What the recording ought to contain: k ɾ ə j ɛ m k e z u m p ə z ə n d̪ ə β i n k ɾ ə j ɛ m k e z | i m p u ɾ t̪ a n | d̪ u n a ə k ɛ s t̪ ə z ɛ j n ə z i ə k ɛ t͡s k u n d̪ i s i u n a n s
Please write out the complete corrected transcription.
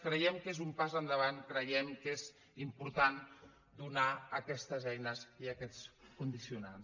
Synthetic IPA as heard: k ɾ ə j ɛ m k e z u m p a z ə n d̪ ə β a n k ɾ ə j ɛ m k e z | i m p u ɾ t̪ a n | d̪ u n a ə k ɛ s t̪ ə z ɛ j n ə z i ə k ɛ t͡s k u n d̪ i s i u n a n s